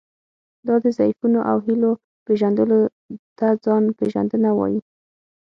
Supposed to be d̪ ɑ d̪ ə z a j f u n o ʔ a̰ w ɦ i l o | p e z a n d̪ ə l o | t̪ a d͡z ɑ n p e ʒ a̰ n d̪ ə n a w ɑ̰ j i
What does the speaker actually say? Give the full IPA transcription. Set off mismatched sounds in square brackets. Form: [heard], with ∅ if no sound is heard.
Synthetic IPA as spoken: d̪ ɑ d̪ ə z a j f u n o ʔ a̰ w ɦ i l o | p e [ʒ] a n d̪ ə l o | t̪ a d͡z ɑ n p e ʒ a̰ n d̪ ə n a w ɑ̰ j i